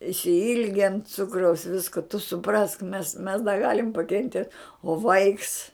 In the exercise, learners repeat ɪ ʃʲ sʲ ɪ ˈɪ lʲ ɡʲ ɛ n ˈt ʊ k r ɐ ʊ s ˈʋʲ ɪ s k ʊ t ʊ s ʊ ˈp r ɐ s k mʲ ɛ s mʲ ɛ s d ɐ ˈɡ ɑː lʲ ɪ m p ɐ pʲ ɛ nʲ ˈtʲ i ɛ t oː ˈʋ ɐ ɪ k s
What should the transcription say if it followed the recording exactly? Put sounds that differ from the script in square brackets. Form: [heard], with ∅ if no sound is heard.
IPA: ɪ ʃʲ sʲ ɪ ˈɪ lʲ ɡʲ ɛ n [ˈt͡s] ʊ k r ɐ ʊ s ˈʋʲ ɪ s k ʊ t ʊ s ʊ ˈp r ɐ s k mʲ ɛ s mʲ ɛ s d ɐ ˈɡ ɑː lʲ ɪ m p ɐ [kʲ] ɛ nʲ ˈtʲ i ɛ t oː ˈʋ ɐ ɪ k s